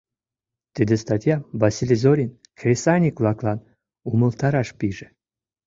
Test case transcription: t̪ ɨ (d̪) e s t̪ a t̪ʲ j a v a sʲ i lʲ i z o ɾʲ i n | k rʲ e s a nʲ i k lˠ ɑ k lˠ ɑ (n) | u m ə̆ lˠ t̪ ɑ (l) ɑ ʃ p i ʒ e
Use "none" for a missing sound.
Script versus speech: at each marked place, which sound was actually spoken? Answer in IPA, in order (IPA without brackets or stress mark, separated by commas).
d̪, n, ɾ